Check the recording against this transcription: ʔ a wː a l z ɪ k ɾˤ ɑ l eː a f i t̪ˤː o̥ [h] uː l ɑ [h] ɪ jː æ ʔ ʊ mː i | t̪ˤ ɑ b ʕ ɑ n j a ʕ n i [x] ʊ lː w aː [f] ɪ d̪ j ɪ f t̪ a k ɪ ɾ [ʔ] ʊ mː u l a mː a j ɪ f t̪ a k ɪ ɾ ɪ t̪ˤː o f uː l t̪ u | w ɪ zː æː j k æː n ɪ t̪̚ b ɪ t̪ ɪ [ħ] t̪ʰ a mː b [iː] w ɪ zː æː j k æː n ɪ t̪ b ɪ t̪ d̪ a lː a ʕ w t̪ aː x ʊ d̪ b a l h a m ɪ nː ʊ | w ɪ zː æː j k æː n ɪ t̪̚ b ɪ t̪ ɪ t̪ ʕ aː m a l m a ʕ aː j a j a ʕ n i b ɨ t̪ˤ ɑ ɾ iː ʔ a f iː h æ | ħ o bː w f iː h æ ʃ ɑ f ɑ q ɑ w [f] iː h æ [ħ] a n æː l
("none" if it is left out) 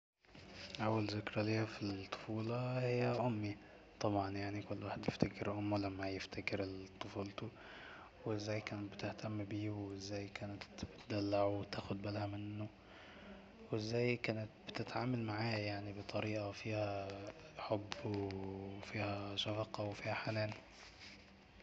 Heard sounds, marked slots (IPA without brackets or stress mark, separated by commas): f, h, k, ħ, ʔ, h, iː, f, ħ